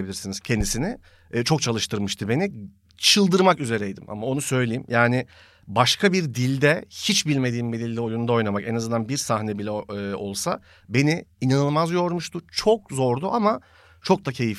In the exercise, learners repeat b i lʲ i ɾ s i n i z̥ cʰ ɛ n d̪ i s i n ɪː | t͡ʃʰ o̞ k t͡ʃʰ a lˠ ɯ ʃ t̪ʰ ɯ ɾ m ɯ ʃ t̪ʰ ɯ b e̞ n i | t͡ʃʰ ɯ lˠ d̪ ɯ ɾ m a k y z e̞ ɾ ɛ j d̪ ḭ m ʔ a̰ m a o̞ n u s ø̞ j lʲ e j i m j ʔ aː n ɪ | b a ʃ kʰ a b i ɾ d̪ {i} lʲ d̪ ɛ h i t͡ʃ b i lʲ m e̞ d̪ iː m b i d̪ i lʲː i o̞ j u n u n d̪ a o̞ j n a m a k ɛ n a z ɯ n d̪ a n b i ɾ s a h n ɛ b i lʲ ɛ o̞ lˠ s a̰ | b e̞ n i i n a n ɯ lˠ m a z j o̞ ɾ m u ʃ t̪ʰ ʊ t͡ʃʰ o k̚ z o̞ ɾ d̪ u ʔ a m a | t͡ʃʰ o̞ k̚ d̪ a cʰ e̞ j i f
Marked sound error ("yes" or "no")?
no